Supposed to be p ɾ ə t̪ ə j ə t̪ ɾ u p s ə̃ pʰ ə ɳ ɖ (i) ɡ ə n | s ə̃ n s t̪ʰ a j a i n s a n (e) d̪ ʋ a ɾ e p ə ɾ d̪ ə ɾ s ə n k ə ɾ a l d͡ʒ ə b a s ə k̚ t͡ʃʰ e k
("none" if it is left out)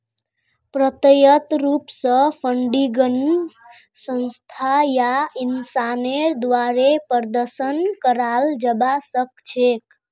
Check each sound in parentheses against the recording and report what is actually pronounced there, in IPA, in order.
i, e

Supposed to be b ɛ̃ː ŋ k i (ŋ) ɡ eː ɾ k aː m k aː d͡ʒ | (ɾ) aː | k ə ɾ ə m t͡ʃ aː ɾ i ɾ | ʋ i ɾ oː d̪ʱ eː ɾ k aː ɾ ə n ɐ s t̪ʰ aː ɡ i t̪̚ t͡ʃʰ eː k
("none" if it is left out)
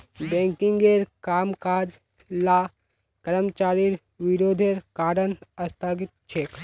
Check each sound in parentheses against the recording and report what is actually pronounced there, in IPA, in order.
ŋ, l

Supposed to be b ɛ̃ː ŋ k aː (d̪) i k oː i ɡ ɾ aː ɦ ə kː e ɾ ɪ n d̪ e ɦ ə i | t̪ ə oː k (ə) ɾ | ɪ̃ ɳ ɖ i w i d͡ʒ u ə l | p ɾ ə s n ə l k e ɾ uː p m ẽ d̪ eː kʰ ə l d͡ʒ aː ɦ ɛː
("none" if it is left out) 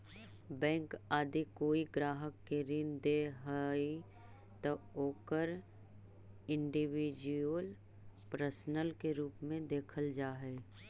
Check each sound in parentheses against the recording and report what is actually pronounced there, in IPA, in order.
d̪, ə

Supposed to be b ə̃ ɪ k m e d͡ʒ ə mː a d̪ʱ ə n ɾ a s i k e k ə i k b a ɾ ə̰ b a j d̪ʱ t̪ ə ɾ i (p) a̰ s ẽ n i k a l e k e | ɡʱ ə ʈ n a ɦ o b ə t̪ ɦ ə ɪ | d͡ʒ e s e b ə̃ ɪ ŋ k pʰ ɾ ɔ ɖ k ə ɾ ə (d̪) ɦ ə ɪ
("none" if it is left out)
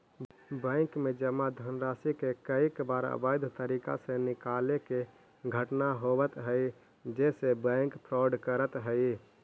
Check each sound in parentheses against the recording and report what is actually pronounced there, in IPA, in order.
k, t̪

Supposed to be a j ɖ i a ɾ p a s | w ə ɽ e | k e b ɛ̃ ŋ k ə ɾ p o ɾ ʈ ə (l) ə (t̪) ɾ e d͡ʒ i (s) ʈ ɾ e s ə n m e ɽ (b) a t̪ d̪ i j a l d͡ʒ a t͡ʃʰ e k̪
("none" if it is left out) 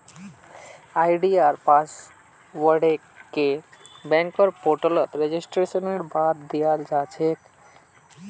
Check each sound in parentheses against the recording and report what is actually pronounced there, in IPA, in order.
l, t̪, s, b

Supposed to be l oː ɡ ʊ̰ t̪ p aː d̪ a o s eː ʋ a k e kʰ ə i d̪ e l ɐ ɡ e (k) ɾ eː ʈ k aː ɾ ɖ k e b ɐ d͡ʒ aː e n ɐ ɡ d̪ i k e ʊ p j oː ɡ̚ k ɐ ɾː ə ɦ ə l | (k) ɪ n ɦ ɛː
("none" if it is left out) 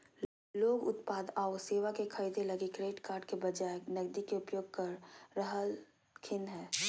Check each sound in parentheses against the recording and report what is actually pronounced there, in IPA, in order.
k, kʰ

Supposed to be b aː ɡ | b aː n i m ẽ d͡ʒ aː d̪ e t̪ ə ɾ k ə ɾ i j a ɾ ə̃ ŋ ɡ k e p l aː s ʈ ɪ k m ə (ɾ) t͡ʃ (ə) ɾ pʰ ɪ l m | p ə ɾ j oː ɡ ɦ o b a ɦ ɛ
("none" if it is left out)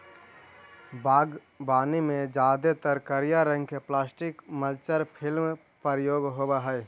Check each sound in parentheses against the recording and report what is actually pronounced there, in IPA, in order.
l, ə

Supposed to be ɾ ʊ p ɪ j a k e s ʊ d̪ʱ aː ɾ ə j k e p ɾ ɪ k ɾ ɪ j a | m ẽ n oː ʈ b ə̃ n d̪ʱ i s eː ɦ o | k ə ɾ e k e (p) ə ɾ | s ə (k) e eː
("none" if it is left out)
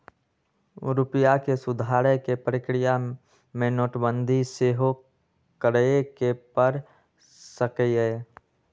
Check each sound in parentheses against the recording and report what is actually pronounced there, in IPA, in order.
p, k

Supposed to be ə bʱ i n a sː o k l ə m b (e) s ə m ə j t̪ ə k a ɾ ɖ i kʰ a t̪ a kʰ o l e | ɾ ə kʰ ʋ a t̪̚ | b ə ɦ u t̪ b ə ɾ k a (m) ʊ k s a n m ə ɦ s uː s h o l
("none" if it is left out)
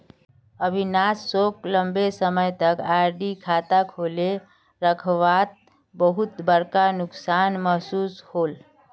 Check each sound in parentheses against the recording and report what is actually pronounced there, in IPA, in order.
e, n

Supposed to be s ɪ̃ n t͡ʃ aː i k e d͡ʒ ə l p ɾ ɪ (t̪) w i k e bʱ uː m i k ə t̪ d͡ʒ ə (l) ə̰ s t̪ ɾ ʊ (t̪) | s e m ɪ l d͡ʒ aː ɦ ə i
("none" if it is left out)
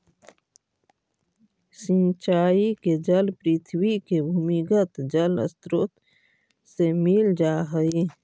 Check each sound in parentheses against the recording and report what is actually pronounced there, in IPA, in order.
t̪ʰ, l, t̪

